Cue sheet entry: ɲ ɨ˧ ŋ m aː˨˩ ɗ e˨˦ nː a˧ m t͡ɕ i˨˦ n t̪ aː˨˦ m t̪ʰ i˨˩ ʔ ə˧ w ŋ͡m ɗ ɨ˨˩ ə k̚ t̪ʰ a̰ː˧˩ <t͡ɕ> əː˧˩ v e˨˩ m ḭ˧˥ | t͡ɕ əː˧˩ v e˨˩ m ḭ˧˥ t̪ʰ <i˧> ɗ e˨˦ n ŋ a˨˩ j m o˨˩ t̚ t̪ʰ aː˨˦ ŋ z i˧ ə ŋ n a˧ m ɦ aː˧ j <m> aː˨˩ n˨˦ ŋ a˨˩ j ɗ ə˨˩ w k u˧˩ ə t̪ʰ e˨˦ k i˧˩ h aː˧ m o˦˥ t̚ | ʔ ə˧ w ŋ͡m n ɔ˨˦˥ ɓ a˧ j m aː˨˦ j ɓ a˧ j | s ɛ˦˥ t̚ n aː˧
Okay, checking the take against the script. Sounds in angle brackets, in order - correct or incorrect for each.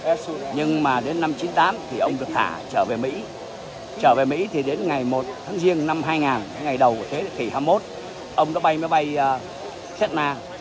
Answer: correct, incorrect, incorrect

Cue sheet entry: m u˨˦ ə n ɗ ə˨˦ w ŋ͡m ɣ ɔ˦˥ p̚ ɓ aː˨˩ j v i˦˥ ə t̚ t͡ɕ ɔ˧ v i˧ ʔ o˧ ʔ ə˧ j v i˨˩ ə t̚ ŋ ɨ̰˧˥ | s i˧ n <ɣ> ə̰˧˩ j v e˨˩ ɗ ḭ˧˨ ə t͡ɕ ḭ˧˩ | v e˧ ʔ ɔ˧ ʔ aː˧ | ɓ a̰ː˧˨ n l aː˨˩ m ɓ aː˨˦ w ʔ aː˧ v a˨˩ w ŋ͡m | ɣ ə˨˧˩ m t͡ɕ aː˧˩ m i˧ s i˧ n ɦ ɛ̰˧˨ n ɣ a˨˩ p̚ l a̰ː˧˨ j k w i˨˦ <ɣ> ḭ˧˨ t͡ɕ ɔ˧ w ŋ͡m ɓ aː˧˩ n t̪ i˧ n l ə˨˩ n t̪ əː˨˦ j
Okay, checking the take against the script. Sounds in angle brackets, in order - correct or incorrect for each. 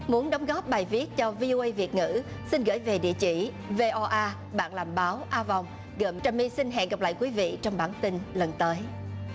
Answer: correct, incorrect

